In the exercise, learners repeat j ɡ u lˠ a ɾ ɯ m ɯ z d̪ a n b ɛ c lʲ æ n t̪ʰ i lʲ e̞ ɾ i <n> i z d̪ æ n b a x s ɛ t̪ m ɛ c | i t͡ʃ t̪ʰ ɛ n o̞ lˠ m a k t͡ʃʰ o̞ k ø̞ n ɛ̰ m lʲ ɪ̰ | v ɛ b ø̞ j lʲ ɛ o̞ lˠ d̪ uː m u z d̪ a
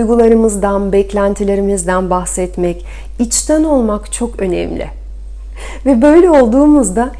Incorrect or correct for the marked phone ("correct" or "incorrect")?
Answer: incorrect